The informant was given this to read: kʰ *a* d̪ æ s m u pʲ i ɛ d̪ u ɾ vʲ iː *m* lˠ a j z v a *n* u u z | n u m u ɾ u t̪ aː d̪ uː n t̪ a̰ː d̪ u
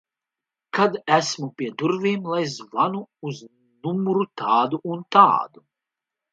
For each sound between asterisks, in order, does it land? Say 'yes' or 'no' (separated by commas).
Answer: yes, yes, yes